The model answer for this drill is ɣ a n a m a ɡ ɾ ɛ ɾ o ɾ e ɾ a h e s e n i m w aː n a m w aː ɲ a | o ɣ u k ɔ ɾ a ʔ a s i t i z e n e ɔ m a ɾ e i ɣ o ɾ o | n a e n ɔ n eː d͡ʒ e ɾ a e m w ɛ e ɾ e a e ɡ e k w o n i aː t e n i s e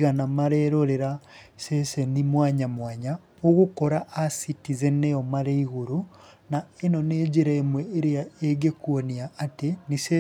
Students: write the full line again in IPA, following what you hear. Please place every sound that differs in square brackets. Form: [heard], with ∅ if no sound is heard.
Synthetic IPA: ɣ a n a m a [∅] ɾ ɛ ɾ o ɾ e ɾ a [s] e s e n i m w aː [ɲ] a m w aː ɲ a | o ɣ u k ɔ ɾ a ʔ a s i t i z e n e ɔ m a ɾ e i ɣ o ɾ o | n a e n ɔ n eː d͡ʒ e ɾ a e m w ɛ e ɾ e a e ɡ e k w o n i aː t e n i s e